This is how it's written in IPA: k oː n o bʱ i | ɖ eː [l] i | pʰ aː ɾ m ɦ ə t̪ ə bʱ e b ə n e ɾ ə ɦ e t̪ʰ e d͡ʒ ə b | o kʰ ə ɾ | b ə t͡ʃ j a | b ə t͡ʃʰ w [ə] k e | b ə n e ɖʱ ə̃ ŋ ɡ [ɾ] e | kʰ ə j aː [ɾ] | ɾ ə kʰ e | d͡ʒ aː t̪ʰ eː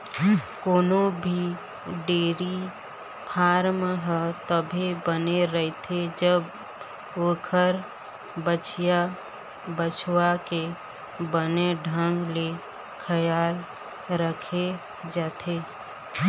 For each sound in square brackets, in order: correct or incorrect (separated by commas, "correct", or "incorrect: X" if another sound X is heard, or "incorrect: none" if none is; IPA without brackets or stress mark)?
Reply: incorrect: ɾ, incorrect: a, incorrect: l, incorrect: l